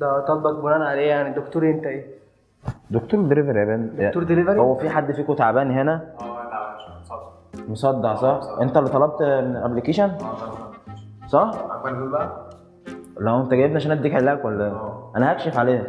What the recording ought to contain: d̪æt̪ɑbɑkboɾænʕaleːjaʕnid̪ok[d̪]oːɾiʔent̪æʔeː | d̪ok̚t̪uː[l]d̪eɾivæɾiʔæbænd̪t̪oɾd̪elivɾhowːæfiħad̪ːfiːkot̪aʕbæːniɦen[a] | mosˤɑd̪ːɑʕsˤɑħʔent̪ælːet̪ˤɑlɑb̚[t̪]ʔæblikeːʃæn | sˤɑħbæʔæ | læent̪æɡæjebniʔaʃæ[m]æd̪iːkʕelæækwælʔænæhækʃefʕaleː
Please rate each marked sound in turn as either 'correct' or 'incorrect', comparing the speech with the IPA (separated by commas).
incorrect, incorrect, incorrect, correct, incorrect